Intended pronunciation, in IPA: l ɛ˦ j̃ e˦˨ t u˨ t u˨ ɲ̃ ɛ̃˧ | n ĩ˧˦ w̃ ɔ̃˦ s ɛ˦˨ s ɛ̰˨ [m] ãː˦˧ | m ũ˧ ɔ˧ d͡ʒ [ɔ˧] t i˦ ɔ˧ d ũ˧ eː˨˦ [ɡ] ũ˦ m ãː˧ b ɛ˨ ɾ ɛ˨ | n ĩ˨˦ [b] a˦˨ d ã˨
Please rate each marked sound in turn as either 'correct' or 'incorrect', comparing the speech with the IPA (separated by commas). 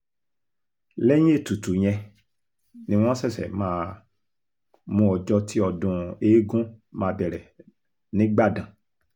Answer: correct, correct, correct, incorrect